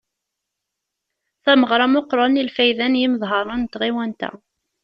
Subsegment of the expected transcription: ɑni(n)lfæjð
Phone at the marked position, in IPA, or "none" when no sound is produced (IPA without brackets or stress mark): none